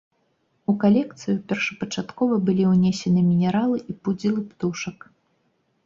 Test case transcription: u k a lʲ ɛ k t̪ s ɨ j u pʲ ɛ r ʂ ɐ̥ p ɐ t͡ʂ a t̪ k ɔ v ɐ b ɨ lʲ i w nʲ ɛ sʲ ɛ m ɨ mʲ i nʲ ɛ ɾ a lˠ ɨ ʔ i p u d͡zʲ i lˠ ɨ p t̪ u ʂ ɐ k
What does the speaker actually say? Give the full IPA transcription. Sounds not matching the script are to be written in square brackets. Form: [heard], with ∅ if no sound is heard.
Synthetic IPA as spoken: u k a lʲ ɛ k t̪ s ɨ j u pʲ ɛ r ʂ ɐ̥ p ɐ t͡ʂ a t̪ k ɔ v ɐ b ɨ lʲ i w nʲ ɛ sʲ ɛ [n] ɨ mʲ i nʲ ɛ ɾ a lˠ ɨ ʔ i p u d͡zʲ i lˠ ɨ p t̪ u ʂ ɐ k